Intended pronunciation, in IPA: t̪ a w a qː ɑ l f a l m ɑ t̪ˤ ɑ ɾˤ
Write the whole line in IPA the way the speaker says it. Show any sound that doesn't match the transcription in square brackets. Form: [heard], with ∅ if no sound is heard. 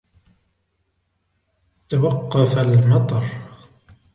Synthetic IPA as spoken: t̪ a w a qː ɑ [∅] f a l m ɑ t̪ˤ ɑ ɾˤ